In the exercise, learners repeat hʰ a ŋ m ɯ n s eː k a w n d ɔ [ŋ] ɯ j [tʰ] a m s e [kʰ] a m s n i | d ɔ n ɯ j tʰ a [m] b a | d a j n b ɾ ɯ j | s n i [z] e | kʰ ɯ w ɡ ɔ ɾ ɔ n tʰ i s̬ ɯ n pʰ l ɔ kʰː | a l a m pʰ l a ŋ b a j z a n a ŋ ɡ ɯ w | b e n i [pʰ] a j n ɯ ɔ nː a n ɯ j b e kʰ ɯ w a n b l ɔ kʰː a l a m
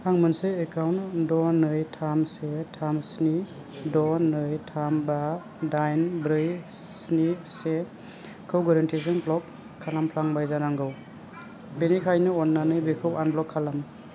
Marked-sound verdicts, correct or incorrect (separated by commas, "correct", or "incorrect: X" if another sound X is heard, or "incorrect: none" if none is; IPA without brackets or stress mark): incorrect: n, correct, incorrect: tʰ, correct, incorrect: s, incorrect: kʰ